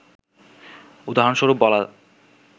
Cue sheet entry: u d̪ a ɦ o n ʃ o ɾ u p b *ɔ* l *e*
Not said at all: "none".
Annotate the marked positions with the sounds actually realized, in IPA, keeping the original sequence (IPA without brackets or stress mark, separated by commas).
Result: ɔ, a